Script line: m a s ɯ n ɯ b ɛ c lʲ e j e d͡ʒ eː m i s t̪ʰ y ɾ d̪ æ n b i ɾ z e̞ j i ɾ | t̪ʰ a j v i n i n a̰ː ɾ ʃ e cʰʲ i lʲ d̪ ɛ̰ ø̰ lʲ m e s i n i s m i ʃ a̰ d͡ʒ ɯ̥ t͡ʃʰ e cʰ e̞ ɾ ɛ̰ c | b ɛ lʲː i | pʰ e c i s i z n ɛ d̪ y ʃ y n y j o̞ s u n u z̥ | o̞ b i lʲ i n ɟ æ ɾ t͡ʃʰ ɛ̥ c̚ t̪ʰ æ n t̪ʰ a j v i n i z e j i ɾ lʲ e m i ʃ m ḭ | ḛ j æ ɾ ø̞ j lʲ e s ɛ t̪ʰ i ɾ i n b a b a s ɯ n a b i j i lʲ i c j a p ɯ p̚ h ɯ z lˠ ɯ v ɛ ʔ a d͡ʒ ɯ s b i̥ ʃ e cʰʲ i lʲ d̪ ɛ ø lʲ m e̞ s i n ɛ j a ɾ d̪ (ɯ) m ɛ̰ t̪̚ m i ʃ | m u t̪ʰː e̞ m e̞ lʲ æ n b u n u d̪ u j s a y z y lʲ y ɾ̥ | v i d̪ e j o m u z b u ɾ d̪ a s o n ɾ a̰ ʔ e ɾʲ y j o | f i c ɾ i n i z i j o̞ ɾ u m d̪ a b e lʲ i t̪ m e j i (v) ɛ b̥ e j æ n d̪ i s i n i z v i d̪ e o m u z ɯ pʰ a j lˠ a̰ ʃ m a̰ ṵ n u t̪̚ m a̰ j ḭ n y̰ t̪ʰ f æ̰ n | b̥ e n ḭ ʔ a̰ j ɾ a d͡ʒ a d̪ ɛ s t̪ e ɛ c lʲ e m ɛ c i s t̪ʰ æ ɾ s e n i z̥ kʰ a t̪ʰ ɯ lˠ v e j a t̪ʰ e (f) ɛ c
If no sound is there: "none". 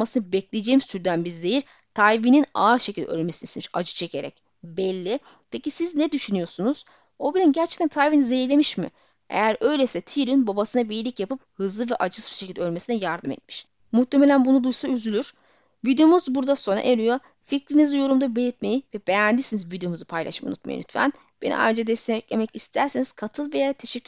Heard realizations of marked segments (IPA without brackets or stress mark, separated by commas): ɯ, v, ʃ